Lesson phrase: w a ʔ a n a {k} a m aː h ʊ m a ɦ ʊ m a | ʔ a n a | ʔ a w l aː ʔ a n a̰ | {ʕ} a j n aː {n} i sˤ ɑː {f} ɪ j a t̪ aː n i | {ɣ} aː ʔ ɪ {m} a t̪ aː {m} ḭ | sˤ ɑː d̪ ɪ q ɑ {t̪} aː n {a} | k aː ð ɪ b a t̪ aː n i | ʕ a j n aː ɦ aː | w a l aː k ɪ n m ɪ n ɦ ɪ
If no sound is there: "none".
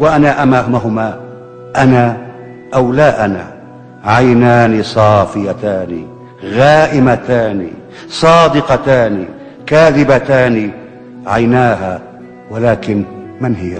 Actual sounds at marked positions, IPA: ʔ, ʕ, n, f, ɣ, m, n, t̪, i

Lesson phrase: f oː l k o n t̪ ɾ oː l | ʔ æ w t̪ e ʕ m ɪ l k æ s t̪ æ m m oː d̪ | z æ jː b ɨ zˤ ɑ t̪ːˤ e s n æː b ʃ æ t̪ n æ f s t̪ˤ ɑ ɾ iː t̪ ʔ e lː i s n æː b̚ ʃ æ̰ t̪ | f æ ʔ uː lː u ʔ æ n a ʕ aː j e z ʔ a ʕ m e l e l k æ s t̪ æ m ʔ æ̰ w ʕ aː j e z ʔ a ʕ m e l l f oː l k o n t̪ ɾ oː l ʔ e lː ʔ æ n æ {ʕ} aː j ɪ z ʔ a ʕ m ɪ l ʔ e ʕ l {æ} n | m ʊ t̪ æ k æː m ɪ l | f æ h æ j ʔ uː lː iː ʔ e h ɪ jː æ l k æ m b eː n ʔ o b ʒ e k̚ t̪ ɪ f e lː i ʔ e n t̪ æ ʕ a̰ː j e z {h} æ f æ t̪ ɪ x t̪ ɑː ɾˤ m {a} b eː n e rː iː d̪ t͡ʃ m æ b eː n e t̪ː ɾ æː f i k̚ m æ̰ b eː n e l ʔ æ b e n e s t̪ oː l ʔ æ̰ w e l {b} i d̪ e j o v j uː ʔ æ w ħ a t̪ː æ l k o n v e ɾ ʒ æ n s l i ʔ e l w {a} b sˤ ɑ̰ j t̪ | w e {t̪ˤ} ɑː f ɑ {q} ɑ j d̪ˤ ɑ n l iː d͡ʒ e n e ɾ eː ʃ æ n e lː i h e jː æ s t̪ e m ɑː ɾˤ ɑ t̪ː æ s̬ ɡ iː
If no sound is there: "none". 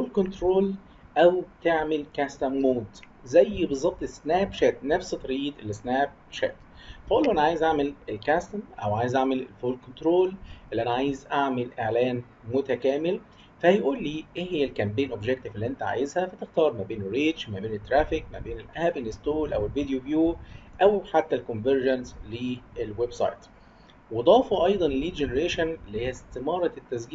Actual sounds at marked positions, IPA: ʕ, æː, h, æ, v, e, d̪ˤ, ʔ

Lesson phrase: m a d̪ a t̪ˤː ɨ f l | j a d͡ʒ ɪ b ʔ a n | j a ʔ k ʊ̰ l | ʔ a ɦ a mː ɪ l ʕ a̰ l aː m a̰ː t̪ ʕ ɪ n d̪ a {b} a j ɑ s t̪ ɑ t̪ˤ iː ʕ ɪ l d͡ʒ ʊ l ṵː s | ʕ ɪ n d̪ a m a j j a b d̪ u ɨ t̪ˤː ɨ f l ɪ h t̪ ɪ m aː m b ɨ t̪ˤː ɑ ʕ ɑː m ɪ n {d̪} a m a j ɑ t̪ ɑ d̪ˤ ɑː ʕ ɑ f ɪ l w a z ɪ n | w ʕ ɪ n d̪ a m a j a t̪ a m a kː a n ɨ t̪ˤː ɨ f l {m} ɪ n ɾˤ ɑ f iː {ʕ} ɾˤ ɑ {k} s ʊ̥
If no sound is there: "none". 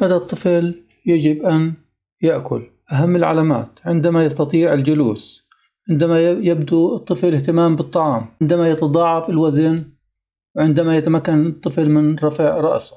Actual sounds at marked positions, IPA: m, d̪, m, ʕ, ʔ

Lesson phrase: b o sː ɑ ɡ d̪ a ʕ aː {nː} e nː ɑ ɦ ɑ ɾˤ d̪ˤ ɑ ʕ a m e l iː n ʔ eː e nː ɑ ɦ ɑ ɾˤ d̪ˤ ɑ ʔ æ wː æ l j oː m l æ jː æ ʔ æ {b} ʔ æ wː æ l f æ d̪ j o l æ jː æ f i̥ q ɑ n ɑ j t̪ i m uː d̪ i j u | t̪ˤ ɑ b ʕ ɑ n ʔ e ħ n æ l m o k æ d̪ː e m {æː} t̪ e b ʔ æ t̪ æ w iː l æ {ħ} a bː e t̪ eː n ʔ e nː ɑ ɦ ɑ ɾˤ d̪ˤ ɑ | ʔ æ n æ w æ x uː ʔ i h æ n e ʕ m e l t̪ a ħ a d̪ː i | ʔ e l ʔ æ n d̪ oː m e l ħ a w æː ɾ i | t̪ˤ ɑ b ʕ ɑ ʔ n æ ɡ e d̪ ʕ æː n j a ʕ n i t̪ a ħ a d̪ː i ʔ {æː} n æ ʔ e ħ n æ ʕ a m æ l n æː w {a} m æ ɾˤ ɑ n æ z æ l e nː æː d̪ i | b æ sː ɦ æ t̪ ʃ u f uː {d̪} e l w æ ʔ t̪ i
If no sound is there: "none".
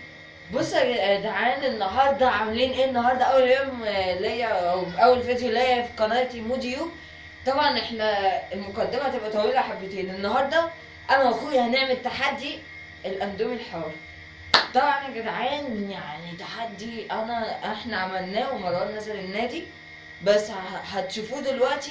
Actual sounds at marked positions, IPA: n, w, æ, ħ, æ, e, d̪

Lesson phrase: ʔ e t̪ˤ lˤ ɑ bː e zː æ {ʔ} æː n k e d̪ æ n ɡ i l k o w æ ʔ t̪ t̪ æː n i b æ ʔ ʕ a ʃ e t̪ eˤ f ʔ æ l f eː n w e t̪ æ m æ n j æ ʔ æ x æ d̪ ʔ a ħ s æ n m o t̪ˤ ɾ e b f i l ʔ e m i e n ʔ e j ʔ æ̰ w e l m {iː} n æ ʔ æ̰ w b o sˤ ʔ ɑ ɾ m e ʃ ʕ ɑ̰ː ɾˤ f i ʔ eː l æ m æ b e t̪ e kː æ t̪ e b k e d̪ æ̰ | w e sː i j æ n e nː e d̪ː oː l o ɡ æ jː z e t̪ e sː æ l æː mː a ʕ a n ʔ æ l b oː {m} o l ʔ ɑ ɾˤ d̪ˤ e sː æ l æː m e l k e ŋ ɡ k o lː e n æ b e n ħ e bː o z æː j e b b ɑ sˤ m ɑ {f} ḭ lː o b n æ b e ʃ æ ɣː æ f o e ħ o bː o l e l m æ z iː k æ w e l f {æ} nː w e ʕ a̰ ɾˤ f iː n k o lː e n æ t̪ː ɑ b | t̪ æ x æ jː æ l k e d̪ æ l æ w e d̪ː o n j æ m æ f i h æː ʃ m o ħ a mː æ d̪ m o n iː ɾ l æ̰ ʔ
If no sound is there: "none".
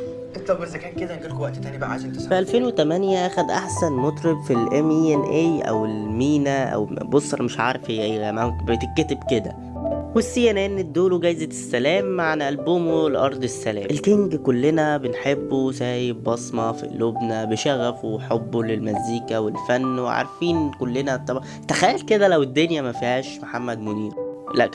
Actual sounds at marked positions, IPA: k, iː, m, f, æ

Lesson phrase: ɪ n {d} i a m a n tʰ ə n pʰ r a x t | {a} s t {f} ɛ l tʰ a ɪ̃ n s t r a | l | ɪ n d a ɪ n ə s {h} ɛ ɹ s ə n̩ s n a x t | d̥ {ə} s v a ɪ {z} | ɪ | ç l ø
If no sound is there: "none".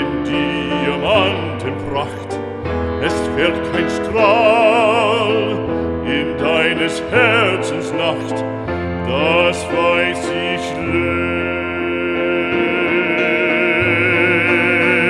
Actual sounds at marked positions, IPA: d, ɛ, f, h, a, s

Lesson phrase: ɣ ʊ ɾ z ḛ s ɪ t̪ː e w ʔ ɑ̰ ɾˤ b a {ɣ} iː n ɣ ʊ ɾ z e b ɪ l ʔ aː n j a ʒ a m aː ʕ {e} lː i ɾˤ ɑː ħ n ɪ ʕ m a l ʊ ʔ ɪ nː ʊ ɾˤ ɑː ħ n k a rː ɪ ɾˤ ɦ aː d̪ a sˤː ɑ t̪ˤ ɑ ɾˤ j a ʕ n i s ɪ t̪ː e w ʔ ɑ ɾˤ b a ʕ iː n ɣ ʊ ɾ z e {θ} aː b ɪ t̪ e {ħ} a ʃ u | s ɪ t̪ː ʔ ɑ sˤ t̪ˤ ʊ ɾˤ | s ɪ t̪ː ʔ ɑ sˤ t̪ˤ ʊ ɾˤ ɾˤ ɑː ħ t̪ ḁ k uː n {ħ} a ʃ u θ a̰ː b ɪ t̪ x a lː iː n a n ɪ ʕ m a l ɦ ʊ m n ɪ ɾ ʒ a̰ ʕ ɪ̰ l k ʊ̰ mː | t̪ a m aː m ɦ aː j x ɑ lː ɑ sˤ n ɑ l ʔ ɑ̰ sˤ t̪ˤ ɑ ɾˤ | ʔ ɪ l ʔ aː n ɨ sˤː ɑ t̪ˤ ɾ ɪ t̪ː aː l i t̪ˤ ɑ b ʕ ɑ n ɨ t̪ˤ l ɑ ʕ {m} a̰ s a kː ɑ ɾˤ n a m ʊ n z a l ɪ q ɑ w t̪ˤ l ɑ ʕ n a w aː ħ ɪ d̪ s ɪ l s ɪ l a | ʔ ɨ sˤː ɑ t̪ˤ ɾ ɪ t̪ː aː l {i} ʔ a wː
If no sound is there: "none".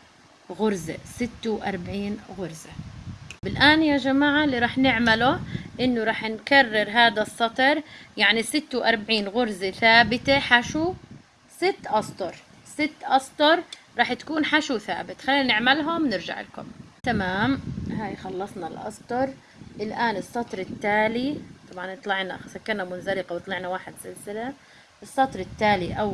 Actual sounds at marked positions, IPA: ʕ, a, θ, ħ, ħ, n, i

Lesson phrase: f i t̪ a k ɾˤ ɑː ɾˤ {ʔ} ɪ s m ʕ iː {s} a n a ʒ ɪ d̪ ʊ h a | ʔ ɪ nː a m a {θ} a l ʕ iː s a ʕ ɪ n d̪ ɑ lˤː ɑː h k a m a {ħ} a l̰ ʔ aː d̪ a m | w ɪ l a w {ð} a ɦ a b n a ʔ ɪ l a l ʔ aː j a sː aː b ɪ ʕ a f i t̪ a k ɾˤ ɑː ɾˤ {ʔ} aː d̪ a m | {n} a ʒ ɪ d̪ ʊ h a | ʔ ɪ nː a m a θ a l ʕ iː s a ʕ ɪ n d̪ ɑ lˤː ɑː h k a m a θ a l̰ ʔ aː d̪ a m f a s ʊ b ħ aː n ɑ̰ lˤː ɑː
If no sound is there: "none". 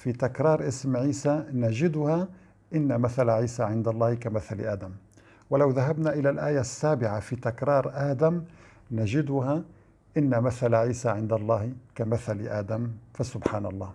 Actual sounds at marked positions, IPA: ʔ, s, θ, θ, ð, ʔ, n

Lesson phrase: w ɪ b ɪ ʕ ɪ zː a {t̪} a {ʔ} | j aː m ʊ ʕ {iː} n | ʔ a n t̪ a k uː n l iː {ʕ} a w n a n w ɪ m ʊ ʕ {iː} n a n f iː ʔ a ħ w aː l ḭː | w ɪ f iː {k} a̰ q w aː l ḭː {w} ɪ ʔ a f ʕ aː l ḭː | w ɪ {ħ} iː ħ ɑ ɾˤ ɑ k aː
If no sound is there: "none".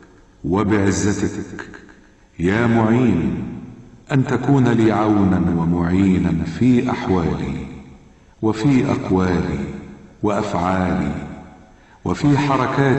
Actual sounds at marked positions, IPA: t̪, k, iː, ʕ, iː, ʔ, w, f

